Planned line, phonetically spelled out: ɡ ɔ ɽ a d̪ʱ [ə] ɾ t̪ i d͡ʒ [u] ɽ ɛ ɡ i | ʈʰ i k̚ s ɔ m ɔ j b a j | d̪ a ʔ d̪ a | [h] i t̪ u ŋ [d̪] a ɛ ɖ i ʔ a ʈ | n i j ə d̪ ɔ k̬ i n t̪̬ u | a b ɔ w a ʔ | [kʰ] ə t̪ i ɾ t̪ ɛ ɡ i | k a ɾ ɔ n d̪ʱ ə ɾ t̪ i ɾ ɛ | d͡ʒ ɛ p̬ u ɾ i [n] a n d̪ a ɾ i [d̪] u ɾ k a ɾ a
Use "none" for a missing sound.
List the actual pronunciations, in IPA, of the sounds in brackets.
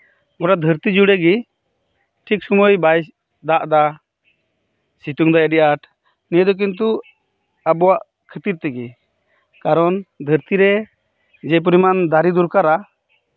ə, u, s, d̪, kʰ, m, d̪

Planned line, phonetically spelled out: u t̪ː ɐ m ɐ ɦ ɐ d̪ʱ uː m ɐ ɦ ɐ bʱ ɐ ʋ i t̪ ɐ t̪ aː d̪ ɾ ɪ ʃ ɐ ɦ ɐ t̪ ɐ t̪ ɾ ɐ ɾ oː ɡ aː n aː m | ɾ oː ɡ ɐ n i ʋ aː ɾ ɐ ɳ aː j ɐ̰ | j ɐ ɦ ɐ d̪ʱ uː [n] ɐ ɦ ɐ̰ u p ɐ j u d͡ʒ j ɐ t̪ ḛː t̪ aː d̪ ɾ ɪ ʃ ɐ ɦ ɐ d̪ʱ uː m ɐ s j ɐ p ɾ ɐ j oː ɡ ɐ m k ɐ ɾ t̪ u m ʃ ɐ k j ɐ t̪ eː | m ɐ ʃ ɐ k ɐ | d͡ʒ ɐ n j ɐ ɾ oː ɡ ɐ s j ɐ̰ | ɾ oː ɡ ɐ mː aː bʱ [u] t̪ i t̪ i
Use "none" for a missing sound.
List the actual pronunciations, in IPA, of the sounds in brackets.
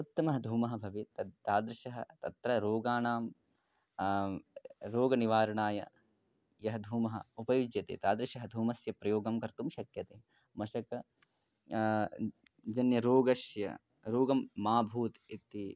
m, uː

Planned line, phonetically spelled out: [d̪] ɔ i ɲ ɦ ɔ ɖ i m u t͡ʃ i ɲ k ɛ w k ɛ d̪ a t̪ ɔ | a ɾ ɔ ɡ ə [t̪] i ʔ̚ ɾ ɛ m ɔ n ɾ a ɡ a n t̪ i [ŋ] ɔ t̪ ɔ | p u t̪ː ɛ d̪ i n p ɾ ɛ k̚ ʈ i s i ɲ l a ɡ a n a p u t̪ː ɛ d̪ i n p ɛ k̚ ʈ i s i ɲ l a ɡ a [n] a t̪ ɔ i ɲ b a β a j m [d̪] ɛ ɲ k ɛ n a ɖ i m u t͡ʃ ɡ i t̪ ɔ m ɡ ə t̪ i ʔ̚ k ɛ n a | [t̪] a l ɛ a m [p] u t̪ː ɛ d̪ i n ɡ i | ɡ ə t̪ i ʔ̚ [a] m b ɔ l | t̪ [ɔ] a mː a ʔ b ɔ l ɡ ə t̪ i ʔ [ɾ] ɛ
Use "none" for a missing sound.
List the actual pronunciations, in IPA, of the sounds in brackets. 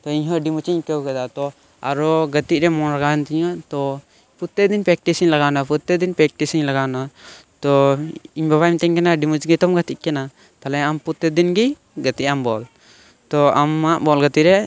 t̪, t̪, ɲ, n, t̪, t̪, p, a, ɔ, ɾ

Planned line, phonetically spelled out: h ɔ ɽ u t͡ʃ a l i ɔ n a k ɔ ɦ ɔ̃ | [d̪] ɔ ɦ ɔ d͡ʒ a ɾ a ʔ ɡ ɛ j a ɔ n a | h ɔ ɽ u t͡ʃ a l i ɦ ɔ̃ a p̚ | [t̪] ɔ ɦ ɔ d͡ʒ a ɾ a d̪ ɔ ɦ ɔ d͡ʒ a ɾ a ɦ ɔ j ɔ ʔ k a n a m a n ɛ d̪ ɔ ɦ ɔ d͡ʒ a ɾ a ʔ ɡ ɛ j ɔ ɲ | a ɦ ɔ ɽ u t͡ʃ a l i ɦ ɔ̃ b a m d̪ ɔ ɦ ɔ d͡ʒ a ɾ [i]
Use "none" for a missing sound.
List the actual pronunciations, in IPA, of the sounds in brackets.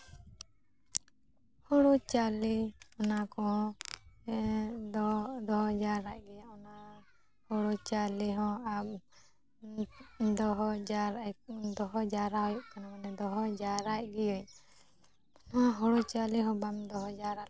d̪, d̪, a

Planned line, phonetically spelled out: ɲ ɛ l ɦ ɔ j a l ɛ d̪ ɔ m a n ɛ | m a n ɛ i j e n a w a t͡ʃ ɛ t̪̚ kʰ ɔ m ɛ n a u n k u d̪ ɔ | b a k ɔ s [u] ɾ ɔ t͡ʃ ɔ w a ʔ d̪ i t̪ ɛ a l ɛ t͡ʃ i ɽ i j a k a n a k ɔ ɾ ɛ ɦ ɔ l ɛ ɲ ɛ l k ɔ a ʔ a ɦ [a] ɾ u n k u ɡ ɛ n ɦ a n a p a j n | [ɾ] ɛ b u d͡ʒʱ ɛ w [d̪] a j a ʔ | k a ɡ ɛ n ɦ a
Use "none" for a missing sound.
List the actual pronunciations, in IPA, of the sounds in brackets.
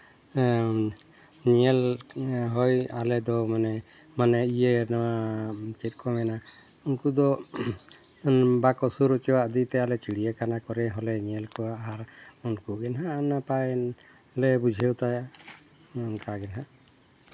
u, a, l, t̪

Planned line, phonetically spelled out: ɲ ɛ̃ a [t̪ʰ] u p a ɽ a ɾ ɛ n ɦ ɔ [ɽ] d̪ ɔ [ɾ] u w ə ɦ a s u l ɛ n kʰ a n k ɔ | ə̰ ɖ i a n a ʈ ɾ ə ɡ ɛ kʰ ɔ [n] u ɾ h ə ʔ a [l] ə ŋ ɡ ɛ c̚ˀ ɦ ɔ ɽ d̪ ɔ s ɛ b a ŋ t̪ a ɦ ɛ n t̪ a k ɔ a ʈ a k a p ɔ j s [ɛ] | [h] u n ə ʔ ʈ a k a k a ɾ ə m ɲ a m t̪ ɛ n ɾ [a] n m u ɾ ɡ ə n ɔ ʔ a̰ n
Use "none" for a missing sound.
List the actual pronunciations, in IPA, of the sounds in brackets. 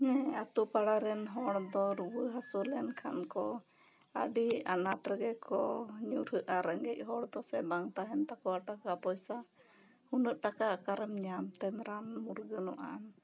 t̪, ɽ, ɾ, ɲ, ɾ, a, h, a

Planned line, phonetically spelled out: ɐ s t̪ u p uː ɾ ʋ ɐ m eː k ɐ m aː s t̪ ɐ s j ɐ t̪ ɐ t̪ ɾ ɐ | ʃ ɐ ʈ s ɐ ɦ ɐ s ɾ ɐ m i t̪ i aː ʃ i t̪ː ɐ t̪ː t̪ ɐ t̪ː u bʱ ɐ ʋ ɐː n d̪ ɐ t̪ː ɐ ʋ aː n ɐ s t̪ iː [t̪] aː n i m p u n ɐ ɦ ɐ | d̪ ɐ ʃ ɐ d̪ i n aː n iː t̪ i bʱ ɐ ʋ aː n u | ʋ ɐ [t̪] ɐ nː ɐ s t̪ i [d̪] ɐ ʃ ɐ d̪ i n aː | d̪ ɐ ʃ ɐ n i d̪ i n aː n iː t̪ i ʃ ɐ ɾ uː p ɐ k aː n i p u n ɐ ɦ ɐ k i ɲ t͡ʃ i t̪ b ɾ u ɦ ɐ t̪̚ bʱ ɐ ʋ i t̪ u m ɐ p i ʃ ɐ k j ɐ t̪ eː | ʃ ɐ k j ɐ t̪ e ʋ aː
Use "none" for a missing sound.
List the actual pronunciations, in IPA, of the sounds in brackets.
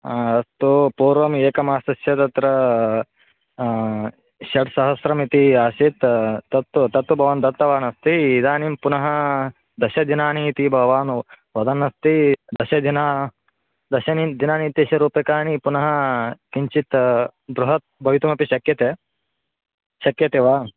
d̪, d̪, d̪

